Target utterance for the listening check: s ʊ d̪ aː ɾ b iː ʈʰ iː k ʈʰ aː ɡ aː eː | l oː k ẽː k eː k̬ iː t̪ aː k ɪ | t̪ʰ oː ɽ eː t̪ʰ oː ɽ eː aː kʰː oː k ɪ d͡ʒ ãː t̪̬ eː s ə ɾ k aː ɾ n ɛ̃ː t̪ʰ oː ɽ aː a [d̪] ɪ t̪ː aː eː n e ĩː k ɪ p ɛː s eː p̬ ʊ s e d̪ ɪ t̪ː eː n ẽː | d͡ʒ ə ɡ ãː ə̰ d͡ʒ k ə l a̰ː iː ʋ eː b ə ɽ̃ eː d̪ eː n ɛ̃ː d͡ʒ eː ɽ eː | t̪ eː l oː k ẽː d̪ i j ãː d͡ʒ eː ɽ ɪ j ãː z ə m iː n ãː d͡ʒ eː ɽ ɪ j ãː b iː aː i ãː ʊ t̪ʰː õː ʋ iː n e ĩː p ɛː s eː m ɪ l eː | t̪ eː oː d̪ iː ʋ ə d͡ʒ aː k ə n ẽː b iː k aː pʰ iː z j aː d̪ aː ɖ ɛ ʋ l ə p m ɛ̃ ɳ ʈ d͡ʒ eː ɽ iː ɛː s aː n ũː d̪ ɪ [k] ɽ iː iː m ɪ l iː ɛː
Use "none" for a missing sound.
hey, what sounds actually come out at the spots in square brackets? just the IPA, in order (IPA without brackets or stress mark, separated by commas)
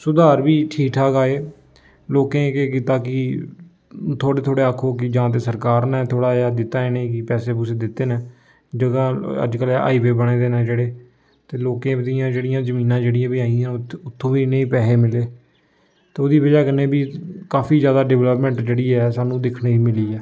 d̪, kʰ